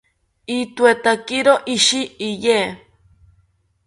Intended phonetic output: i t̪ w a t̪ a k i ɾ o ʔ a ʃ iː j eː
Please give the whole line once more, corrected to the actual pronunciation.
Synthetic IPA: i t̪ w e t̪ a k i ɾ o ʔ i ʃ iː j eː